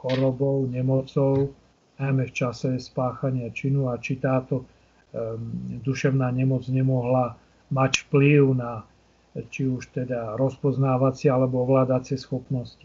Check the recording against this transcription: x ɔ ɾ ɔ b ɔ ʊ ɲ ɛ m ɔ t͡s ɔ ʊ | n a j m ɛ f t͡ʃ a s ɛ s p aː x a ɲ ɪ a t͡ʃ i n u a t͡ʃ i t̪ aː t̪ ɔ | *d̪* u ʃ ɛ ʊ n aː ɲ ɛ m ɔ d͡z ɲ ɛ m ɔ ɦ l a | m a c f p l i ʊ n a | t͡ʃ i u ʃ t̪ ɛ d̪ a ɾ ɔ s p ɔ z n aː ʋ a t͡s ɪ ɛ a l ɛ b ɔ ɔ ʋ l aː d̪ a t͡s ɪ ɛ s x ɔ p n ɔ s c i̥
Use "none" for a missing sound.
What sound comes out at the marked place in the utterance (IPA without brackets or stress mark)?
d̪